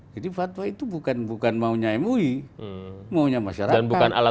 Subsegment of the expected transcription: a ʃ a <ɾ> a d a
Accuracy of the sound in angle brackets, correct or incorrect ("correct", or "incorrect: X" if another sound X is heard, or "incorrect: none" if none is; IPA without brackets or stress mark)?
correct